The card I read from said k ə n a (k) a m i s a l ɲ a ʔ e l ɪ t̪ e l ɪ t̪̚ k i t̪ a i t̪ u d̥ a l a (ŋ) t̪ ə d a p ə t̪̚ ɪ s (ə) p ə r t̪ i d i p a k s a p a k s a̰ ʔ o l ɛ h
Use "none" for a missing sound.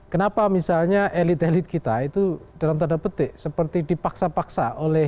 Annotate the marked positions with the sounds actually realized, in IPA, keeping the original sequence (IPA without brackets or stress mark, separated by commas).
p, m, ə